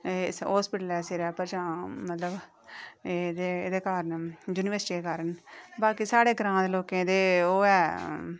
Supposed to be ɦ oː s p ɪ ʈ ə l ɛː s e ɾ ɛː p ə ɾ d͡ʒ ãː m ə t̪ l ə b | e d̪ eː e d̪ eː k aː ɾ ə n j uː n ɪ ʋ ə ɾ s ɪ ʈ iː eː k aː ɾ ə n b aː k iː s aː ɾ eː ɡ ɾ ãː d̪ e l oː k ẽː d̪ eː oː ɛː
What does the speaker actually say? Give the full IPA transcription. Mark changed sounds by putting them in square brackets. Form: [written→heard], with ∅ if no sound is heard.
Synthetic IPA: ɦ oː s p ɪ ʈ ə l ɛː s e ɾ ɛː p ə ɾ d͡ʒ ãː m ə t̪ l ə b | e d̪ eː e d̪ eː k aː ɾ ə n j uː n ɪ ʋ ə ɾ s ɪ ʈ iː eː k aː ɾ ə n b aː k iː s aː [ɾ→ɽ] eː ɡ ɾ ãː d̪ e l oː k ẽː d̪ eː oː ɛː